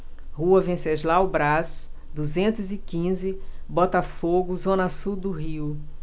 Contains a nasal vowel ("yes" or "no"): yes